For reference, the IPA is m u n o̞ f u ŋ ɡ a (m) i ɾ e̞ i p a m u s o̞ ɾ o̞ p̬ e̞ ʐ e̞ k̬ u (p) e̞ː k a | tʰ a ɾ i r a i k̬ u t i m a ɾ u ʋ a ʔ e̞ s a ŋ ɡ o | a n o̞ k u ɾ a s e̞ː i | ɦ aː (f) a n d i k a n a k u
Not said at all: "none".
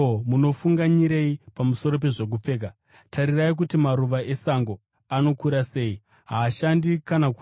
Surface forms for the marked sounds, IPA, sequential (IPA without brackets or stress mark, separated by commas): ɲ, p͡f, ʃ